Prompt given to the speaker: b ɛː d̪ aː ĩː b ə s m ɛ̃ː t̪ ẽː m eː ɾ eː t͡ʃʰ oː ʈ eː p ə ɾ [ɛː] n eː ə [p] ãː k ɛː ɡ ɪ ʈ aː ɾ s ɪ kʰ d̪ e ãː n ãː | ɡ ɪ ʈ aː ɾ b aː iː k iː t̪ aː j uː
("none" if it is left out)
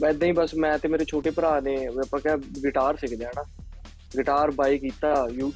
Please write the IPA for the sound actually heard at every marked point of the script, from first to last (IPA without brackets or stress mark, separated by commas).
aː, p